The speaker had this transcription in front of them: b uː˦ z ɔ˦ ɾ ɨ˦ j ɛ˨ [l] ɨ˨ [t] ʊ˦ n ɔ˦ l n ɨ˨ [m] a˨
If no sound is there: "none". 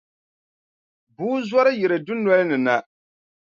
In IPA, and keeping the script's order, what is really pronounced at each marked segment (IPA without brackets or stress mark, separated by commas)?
ɾ, d, n